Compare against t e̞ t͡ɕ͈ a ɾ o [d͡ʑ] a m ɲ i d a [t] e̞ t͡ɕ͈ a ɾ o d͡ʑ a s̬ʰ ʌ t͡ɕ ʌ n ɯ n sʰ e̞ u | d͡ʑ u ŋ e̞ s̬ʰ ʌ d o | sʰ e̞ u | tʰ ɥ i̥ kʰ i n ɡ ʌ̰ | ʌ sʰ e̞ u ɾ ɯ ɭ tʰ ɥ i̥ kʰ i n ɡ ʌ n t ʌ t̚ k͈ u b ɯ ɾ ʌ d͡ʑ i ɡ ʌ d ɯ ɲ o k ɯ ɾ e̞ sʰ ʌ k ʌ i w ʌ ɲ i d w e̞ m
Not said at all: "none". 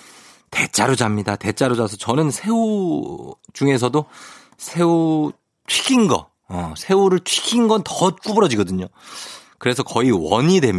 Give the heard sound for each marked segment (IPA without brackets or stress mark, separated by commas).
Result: d͡ʑ, t